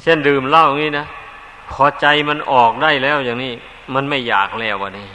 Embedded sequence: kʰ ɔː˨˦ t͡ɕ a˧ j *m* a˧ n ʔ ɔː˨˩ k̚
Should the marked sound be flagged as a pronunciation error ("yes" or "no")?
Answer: no